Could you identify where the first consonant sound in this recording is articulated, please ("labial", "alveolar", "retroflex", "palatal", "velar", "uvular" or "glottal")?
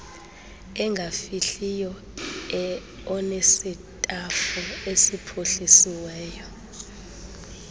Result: velar